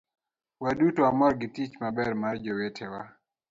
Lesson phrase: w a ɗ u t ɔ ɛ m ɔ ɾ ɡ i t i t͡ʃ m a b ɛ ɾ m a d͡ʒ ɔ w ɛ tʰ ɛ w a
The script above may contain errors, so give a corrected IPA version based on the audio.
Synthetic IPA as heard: w a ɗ u t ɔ a m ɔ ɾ ɡ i t i t͡ʃ m a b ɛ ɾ m a d͡ʒ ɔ w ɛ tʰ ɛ w a